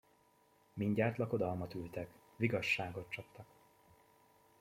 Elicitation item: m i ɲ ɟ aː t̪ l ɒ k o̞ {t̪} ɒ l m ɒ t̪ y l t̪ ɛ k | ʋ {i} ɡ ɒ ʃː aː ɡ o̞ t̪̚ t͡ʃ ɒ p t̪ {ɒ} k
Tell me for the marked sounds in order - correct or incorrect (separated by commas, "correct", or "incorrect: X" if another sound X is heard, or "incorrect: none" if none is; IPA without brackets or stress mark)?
incorrect: d̪, correct, correct